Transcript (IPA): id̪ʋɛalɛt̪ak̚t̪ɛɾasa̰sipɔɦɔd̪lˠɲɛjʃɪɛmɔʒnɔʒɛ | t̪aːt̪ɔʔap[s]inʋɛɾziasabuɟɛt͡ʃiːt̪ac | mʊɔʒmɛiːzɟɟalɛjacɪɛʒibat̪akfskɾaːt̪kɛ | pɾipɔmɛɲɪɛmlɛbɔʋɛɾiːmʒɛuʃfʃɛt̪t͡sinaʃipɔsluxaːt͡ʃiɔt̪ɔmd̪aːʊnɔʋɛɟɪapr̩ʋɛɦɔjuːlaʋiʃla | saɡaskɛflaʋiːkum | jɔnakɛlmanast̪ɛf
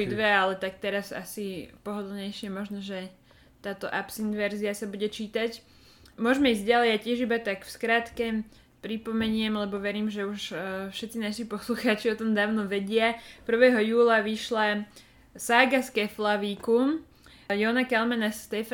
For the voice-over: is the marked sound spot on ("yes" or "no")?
yes